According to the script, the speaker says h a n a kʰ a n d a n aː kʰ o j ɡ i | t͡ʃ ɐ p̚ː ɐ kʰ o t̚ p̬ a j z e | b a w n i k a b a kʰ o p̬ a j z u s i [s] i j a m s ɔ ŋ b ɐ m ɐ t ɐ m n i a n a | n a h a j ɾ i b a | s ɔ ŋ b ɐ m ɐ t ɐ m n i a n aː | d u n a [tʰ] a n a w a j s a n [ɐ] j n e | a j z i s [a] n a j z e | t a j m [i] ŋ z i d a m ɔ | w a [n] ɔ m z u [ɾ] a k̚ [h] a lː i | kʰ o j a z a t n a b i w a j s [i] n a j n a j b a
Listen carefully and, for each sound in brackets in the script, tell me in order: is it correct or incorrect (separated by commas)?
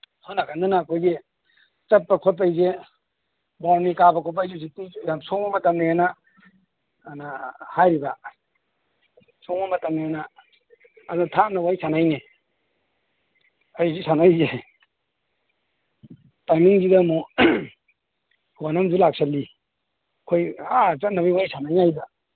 incorrect, correct, incorrect, correct, correct, correct, incorrect, incorrect, incorrect